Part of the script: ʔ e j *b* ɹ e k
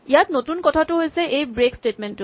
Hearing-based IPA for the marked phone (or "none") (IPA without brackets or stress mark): b